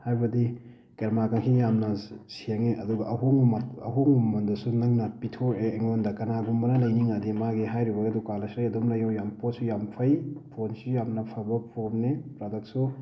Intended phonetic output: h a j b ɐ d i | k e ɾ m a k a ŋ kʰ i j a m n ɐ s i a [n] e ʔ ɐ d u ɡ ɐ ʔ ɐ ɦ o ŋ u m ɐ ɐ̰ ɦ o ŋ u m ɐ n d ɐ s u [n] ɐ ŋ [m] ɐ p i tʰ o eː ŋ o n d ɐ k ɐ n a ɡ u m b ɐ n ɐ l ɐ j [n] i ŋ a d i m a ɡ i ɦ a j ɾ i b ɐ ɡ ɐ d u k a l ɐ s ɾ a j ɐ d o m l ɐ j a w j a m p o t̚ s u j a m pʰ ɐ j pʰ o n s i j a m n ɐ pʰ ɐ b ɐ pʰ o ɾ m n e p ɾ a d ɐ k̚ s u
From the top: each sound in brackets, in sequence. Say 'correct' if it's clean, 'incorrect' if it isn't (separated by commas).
incorrect, correct, incorrect, correct